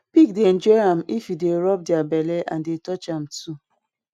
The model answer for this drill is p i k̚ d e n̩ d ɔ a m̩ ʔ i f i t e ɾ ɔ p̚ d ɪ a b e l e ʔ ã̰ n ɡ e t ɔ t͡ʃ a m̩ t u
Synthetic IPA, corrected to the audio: p i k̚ d e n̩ d͡ʒ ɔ a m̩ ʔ i f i d e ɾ ɔ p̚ d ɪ a b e l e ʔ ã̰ n d e t ɔ t͡ʃ a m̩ t u